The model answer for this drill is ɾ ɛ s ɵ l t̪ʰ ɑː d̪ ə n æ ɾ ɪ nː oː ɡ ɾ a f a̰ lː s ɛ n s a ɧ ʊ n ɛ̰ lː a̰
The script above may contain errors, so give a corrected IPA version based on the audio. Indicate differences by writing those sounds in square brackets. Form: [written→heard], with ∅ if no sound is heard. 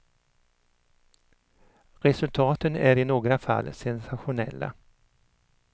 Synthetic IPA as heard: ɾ ɛ s ɵ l t̪ʰ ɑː [d̪→t̪] ə n æ ɾ ɪ [nː→n] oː ɡ ɾ a f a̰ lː s ɛ n s a ɧ ʊ n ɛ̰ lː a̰